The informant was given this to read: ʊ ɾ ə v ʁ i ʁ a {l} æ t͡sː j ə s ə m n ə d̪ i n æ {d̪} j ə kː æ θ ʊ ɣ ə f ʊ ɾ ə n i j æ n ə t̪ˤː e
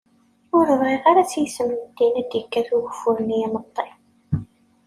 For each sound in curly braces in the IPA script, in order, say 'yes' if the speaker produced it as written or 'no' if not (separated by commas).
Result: no, yes